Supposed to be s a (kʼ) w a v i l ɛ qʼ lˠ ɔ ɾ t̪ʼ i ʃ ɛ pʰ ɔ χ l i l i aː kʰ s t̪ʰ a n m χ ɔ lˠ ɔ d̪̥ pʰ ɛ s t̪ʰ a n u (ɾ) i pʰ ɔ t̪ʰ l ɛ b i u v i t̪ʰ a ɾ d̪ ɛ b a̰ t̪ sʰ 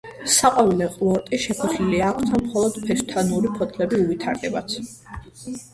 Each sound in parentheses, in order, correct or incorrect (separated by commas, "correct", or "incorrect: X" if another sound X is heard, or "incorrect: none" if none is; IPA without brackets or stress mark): incorrect: qʼ, correct